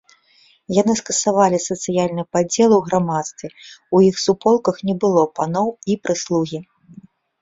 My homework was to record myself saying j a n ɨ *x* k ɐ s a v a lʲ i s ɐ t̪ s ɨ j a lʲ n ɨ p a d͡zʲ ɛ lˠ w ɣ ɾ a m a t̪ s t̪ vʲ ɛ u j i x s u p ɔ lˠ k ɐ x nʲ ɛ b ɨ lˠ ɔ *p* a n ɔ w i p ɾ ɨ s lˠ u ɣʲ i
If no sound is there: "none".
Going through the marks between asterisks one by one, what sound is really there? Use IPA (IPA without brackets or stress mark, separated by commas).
s, p